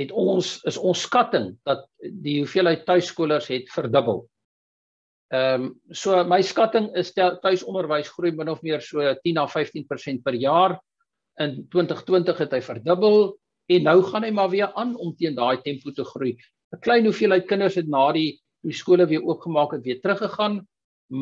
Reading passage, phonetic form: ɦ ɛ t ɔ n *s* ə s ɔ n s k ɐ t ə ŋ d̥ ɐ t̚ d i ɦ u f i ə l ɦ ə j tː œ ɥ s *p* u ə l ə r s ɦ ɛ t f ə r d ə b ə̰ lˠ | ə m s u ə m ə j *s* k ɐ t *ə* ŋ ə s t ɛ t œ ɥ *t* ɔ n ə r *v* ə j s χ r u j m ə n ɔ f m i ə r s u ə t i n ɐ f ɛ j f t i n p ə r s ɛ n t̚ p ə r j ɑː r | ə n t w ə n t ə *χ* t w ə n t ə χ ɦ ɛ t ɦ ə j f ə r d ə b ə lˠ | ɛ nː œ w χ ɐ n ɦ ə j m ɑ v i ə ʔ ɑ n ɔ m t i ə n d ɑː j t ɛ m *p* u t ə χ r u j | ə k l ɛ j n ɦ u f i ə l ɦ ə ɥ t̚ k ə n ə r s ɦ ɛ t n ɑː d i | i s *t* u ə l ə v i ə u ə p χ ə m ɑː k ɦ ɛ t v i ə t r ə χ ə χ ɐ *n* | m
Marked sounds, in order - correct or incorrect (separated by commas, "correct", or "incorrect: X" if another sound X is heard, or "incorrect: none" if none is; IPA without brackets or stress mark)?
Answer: correct, incorrect: k, correct, correct, incorrect: s, correct, correct, correct, incorrect: k, correct